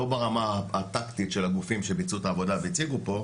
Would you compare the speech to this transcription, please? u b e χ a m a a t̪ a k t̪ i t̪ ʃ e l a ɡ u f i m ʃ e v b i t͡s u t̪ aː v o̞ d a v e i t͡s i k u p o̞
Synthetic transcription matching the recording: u b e ʁ a m a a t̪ a k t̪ i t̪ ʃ e l a ɡ u f i m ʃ e b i t͡s u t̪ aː v o̞ d a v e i t͡s i ɡ u p o̞